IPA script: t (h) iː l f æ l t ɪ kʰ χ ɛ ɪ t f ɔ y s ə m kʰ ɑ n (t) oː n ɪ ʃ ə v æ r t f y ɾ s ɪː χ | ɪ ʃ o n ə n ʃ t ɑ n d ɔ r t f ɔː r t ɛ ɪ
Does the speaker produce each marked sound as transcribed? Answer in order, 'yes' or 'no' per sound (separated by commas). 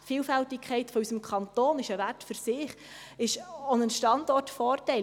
no, yes